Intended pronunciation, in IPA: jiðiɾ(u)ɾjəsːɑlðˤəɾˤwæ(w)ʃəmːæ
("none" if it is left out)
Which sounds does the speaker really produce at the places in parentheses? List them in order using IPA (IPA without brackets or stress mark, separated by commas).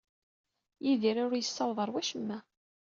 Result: ʊ, none